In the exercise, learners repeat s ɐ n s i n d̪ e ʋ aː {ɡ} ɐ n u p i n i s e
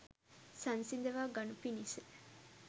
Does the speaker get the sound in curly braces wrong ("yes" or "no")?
no